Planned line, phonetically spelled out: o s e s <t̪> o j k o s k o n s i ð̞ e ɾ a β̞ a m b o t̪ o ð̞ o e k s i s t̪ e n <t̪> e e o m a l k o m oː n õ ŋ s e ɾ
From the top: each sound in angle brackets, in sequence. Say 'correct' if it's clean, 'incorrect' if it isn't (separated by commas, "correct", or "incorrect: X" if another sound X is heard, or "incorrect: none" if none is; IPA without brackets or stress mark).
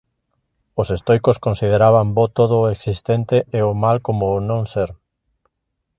correct, correct